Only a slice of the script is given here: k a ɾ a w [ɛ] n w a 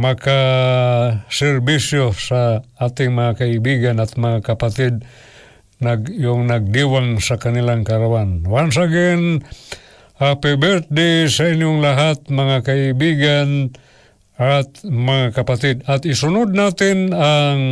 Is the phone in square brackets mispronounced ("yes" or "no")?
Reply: yes